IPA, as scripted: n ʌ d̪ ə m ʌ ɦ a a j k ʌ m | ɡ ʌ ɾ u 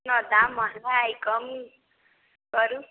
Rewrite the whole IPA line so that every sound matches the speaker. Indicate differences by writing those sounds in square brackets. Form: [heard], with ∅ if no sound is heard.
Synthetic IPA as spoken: n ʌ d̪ [a] m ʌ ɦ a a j k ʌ m | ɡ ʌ ɾ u